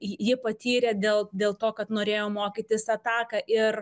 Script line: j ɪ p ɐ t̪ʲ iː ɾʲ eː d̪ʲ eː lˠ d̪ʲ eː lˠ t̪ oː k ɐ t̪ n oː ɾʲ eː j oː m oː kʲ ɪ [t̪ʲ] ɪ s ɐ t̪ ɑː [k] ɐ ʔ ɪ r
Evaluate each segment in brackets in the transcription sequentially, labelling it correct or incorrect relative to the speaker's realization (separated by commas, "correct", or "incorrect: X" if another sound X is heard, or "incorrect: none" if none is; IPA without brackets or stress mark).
correct, correct